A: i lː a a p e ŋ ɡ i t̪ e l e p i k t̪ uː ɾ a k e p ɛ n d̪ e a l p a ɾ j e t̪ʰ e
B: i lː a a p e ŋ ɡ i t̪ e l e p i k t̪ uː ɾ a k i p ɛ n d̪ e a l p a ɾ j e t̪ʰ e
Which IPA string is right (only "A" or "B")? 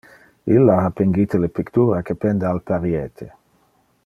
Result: A